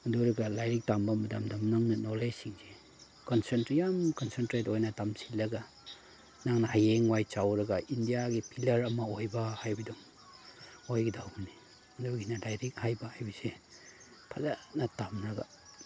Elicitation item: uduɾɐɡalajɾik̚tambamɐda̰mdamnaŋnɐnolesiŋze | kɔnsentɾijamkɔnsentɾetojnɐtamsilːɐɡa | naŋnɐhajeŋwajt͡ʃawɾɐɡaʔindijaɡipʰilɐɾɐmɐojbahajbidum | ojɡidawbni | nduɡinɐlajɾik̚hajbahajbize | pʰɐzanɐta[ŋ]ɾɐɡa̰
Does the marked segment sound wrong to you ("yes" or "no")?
yes